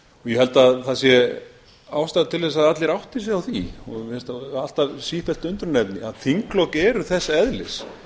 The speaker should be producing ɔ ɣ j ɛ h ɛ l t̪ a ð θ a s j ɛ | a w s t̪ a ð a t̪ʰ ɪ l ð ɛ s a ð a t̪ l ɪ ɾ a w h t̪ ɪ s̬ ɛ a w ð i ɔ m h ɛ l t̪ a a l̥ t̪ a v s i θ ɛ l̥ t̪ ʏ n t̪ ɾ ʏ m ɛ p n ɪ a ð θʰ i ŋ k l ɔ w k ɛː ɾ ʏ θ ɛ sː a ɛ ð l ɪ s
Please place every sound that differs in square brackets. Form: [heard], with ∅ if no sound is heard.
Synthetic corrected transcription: ɔ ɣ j ɛ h ɛ l t̪ a ð θ a s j ɛ | a w s t̪ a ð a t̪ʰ ɪ l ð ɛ s a ð a t̪ l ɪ ɾ a w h t̪ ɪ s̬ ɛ a w [θ] i ɔ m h ɛ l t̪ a a l̥ t̪ a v s i [f] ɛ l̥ t̪ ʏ n t̪ ɾ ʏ [n] ɛ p n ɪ a ð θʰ i ŋ k l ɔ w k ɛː ɾ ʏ θ ɛ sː a ɛ ð l ɪ s

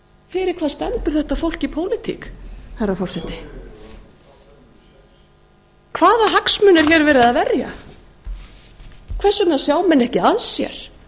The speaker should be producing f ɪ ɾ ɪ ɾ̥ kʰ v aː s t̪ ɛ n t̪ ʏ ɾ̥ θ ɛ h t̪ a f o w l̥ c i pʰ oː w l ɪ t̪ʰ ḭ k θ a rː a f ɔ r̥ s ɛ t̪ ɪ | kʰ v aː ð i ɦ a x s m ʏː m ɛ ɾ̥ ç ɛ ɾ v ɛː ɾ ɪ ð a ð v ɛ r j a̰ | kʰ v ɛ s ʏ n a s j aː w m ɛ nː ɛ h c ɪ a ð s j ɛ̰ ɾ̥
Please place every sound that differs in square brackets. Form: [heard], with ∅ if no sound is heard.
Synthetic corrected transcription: f ɪ ɾ ɪ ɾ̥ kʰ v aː s t̪ ɛ n t̪ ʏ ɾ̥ θ ɛ h t̪ a f o w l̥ c i pʰ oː w l ɪ t̪ʰ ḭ k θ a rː a f ɔ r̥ s ɛ t̪ ɪ | kʰ v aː ð [a] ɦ a [k] s m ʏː [n] ɛ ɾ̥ ç ɛ ɾ v ɛː ɾ ɪ ð a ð v ɛ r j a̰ | kʰ v ɛ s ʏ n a s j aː w m ɛ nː ɛ h c ɪ a ð s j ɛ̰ ɾ̥

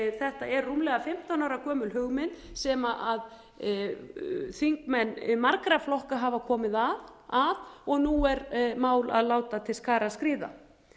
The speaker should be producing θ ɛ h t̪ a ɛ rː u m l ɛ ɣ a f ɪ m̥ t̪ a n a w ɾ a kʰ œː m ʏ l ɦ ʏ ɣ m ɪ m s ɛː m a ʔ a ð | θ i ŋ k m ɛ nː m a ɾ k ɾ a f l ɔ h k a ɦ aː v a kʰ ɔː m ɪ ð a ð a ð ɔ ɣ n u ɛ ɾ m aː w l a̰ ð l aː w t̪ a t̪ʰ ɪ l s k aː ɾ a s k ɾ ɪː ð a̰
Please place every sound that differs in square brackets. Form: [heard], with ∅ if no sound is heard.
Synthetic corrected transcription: θ ɛ h t̪ a ɛ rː u m l ɛ ɣ a f ɪ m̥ t̪ a n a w ɾ a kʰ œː m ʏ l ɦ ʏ ɣ m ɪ [n] s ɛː m a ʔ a ð | θ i ŋ k m ɛ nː m a ɾ k ɾ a f l ɔ h k a ɦ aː v a kʰ ɔː m ɪ ð a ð a ð ɔ ɣ n u ɛ ɾ m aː w l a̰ ð l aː w t̪ a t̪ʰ ɪ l s k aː ɾ a s k ɾ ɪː ð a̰

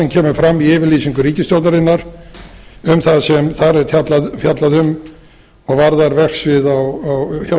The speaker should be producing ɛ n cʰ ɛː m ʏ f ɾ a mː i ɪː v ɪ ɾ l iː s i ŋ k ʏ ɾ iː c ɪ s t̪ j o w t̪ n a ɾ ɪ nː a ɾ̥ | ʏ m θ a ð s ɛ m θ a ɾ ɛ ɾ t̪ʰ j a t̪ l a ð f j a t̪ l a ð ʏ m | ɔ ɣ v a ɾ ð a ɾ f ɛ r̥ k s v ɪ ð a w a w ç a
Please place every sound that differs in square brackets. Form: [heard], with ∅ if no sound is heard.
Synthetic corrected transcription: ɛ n cʰ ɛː m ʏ f ɾ a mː i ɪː v ɪ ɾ l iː s i ŋ k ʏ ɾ iː c ɪ s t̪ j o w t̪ n a ɾ ɪ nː a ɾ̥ | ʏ m θ a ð s ɛ m θ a ɾ ɛ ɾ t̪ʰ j a t̪ l a ð f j a t̪ l a ð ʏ m | ɔ ɣ v a ɾ ð a ɾ [v] ɛ r̥ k s v ɪ ð a w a w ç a

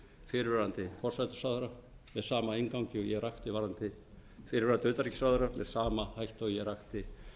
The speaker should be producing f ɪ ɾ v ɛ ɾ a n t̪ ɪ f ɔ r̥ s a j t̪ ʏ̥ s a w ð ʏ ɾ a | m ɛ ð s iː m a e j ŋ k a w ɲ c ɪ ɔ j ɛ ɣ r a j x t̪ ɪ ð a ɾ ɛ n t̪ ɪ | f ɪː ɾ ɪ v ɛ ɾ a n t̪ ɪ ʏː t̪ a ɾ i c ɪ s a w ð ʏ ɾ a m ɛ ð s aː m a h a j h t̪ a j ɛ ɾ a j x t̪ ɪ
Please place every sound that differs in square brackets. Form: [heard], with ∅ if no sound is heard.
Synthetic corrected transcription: f ɪ ɾ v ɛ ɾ a n t̪ ɪ f ɔ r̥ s a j t̪ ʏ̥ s a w ð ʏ ɾ a | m ɛ ð s [aː] m a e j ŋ k a w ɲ c ɪ ɔ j ɛ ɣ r a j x t̪ ɪ [v] a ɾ [a] n t̪ ɪ | f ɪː ɾ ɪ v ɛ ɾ a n t̪ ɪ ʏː t̪ a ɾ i c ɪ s a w ð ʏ ɾ a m ɛ ð s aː m a h a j h t̪ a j ɛ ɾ a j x t̪ ɪ

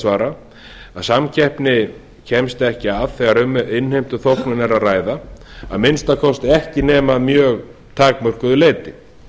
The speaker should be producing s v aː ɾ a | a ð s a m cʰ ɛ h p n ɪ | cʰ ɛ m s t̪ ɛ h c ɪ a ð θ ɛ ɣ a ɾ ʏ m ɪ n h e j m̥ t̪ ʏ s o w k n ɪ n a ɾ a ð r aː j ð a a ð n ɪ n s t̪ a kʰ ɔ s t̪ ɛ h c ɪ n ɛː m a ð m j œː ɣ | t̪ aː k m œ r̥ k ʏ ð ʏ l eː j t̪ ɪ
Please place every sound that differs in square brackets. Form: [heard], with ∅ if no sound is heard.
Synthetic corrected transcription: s v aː ɾ a | a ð s a m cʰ ɛ h p n ɪ | cʰ ɛ m s t̪ ɛ h c ɪ a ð θ ɛ ɣ a ɾ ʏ m ɪ n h e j m̥ t̪ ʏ [θ] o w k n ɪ n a ɾ a ð r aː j ð a a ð [m] ɪ n s t̪ a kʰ ɔ s t̪ ɛ h c ɪ n ɛː m a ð m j œː ɣ | [t̪ʰ] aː k m œ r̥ k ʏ ð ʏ l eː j t̪ ɪ

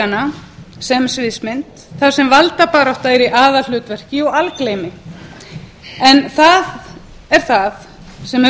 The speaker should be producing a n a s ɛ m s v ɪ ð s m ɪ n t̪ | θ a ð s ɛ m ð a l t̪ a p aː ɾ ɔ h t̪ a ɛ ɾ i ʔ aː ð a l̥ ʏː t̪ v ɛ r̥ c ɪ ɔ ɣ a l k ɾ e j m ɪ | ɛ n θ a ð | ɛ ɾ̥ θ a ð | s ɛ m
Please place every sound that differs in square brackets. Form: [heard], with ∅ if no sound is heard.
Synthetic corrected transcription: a n a s ɛ m s v ɪ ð s m ɪ n t̪ | θ a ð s ɛ m [v] a l t̪ a p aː ɾ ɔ h t̪ a ɛ ɾ i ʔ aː ð a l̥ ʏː t̪ v ɛ r̥ c ɪ ɔ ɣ a l k [l] e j m ɪ | ɛ n θ a ð | ɛ ɾ̥ θ a ð | s ɛ m

